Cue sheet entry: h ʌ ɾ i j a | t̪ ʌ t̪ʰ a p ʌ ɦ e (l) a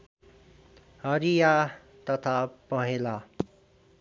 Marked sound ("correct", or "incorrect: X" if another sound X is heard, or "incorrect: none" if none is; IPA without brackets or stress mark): correct